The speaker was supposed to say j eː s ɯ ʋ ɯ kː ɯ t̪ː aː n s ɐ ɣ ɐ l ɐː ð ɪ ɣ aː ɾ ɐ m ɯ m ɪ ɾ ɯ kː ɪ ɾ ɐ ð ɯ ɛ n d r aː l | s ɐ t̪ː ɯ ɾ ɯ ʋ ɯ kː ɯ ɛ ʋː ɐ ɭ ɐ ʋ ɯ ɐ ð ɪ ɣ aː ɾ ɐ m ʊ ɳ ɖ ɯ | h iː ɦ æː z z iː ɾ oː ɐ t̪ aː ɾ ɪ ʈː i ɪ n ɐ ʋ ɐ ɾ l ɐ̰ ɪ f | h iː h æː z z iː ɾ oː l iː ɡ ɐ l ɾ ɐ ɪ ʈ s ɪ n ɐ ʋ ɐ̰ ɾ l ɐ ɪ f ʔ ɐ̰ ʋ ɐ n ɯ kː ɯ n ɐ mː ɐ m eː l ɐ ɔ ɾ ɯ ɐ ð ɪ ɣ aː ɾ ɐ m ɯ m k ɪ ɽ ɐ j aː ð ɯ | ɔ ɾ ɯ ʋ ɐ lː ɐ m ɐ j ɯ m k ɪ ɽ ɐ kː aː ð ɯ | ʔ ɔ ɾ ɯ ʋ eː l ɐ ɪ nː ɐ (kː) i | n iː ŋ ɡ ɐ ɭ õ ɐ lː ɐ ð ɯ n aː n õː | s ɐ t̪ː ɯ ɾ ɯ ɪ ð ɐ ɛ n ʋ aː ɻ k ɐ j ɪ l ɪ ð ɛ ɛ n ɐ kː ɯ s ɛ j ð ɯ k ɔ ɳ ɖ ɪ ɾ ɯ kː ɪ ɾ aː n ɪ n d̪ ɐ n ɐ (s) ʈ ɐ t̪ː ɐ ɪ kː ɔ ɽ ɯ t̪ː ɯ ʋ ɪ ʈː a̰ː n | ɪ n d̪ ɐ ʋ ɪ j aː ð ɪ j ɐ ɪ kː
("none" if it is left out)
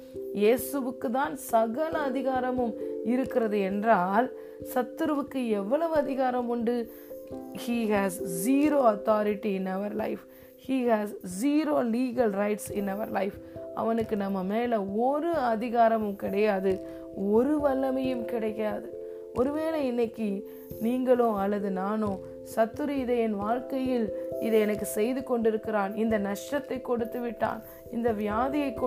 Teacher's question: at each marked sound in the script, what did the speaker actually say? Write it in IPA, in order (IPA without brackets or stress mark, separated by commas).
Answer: kː, ʂ